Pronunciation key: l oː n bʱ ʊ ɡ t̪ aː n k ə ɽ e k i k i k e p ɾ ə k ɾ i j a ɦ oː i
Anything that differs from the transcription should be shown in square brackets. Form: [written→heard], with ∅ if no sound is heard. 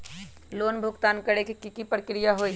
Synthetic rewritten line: l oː n bʱ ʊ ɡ t̪ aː n k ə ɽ e k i k i k [e→i] p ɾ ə k ɾ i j a ɦ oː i